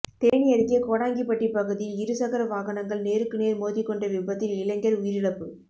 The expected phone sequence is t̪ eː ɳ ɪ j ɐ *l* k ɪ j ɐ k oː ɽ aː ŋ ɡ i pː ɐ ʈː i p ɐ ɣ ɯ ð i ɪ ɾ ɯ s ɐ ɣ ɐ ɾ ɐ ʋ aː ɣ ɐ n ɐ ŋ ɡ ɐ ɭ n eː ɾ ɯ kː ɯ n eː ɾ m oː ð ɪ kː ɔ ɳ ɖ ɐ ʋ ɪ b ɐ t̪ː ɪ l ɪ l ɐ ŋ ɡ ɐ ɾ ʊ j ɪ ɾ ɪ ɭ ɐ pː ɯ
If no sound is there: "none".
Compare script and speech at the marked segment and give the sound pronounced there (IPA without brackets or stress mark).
ɾ